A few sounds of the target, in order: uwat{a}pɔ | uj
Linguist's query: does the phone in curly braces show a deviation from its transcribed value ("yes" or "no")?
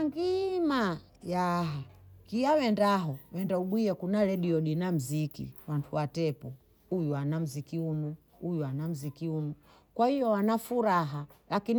yes